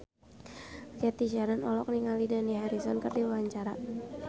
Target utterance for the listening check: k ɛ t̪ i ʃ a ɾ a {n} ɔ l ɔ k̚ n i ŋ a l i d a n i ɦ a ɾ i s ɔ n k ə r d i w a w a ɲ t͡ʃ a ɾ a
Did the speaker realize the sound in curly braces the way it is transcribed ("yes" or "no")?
yes